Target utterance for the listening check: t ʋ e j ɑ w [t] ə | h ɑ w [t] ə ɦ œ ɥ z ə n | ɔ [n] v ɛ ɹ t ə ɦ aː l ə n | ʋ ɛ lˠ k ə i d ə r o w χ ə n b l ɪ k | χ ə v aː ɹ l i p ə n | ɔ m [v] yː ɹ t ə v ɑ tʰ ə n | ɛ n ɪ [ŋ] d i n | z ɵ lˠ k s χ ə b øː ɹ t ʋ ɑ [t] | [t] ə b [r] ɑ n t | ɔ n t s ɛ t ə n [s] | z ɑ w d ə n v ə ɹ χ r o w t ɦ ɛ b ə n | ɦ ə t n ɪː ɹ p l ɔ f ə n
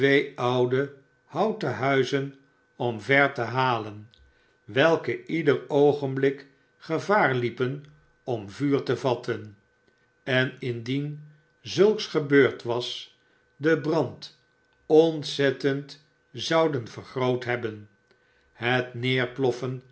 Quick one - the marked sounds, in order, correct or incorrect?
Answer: incorrect: d, correct, incorrect: m, correct, incorrect: n, incorrect: s, incorrect: d, correct, incorrect: t

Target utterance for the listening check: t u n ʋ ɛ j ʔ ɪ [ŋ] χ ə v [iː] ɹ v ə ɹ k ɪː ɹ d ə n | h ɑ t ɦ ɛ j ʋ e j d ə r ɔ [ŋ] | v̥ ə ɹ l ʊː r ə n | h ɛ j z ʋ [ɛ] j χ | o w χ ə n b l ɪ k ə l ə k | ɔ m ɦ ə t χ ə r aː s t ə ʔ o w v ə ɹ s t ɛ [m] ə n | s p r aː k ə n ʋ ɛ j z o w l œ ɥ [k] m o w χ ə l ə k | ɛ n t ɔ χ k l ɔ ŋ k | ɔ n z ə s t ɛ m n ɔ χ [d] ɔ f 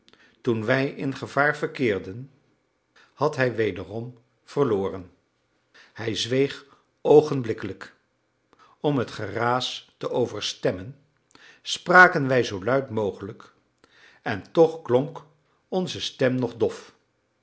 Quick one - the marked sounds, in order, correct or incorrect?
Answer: incorrect: n, incorrect: aː, incorrect: m, incorrect: e, correct, incorrect: t, correct

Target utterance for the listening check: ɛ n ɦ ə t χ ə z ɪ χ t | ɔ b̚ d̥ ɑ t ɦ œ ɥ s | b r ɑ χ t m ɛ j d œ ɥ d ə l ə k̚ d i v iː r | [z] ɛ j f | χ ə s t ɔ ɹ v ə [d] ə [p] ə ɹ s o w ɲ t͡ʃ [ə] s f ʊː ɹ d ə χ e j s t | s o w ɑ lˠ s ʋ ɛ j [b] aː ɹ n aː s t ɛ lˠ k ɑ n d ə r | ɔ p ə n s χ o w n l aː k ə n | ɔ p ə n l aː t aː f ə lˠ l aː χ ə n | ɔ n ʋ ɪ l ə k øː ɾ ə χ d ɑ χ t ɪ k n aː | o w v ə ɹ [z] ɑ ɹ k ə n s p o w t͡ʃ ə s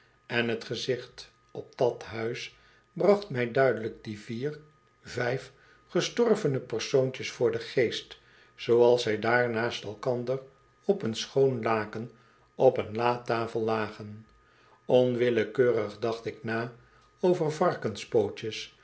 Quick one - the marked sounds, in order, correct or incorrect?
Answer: incorrect: v, incorrect: n, correct, correct, incorrect: d, incorrect: v

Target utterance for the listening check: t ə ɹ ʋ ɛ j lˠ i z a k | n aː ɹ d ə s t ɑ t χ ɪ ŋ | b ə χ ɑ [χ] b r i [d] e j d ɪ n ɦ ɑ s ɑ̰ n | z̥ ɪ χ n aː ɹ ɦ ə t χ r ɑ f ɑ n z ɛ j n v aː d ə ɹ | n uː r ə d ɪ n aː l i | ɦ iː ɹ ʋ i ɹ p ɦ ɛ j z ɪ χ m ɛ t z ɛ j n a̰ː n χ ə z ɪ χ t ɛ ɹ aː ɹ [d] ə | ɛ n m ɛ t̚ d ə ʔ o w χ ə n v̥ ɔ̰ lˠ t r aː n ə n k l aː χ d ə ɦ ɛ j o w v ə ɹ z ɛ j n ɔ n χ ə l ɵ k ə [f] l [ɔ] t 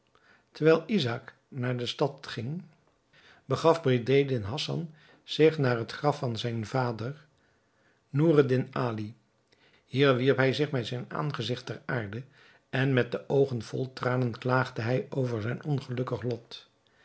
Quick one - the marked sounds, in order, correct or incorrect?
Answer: incorrect: f, correct, correct, incorrect: χ, correct

